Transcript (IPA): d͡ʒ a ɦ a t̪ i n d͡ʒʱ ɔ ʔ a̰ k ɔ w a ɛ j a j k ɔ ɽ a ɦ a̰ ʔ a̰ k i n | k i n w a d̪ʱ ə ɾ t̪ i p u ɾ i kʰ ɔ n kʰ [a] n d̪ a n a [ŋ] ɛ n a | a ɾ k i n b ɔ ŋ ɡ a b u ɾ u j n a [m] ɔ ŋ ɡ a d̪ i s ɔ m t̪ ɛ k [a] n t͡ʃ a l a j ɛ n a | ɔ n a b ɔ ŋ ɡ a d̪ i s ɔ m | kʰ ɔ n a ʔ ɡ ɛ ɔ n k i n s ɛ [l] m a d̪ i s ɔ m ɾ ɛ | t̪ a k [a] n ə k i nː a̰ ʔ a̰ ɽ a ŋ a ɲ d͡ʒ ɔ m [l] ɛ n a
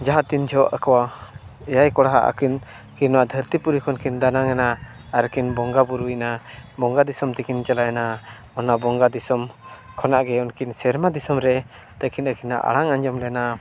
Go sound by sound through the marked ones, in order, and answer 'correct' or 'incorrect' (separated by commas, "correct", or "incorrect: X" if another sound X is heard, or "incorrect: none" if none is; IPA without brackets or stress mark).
incorrect: i, correct, incorrect: b, incorrect: i, incorrect: ɾ, incorrect: i, correct